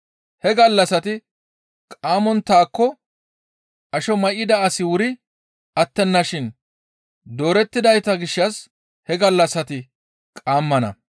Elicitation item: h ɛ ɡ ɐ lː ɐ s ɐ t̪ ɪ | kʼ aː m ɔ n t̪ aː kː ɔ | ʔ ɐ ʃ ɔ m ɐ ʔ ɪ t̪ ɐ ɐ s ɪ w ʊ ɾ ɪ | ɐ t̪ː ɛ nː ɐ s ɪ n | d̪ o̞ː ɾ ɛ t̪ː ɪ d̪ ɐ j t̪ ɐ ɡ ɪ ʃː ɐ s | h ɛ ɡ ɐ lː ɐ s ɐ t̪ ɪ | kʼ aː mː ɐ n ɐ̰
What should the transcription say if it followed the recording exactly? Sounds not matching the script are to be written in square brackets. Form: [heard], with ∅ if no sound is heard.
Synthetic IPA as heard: h ɛ ɡ ɐ lː ɐ s ɐ t̪ ɪ | kʼ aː m ɔ n t̪ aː kː ɔ | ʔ ɐ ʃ ɔ m ɐ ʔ ɪ [d̪] ɐ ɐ s ɪ w ʊ ɾ ɪ | ɐ t̪ː ɛ nː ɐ [ʃ] ɪ n | d̪ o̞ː ɾ ɛ t̪ː ɪ d̪ ɐ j t̪ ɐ ɡ ɪ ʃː ɐ s | h ɛ ɡ ɐ lː ɐ s ɐ t̪ ɪ | kʼ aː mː ɐ n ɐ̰